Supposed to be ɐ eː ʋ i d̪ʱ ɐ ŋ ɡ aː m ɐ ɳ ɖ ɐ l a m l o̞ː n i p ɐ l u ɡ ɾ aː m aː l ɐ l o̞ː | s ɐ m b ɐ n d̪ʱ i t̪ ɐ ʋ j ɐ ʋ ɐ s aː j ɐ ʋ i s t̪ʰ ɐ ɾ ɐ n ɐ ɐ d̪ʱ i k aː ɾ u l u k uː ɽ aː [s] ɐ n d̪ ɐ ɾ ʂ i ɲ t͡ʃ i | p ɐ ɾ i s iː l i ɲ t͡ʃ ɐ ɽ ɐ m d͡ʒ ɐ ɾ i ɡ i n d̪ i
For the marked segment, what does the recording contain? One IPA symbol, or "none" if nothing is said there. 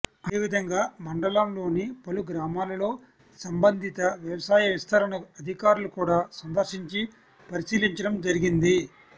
s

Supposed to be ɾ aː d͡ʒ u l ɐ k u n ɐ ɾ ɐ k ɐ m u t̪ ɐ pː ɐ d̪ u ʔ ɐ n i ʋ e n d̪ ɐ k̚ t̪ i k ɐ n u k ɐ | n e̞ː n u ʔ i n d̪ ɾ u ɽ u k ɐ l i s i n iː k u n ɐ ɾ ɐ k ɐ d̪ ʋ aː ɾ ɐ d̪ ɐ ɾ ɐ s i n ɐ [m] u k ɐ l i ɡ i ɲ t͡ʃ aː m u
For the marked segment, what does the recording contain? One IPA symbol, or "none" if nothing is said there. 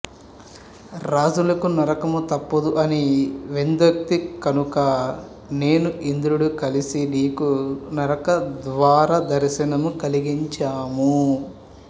m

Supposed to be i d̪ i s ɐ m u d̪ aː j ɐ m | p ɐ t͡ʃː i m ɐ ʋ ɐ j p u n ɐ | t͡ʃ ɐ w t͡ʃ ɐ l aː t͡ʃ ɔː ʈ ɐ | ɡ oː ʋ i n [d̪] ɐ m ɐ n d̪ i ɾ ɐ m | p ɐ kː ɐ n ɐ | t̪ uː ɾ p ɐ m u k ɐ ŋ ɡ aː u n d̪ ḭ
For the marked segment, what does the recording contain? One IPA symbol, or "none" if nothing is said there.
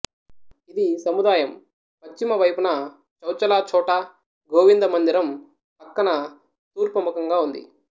d̪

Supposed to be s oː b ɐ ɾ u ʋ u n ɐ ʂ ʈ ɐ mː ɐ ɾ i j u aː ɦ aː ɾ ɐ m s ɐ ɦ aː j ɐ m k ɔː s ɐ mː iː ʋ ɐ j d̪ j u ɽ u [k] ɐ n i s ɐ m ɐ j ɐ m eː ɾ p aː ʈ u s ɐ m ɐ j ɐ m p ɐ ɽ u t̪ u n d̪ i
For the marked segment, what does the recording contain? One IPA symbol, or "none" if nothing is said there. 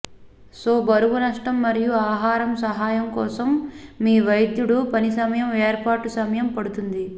p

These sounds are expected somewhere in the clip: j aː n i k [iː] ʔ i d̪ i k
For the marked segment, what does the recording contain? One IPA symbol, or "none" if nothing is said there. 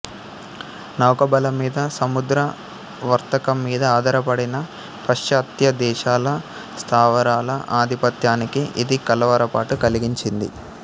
i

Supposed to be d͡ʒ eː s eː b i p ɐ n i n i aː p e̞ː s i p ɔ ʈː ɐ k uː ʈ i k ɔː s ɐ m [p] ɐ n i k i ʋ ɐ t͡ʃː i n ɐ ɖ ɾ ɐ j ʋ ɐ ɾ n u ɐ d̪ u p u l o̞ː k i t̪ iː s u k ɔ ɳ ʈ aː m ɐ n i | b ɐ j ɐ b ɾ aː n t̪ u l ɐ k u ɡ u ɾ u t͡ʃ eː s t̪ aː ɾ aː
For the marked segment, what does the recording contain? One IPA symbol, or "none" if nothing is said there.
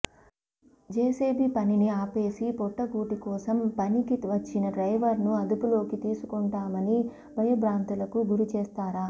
p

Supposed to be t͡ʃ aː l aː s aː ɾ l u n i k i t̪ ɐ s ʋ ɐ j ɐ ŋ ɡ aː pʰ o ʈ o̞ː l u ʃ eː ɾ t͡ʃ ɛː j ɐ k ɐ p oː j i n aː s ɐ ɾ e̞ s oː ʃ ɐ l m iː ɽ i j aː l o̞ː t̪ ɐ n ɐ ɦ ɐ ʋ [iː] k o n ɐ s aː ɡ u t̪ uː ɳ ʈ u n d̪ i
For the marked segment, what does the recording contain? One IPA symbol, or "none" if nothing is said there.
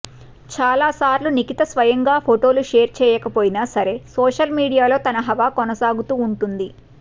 aː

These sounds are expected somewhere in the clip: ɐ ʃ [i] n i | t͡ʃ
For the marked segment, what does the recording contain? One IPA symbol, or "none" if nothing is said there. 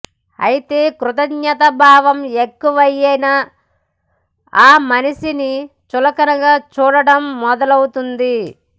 i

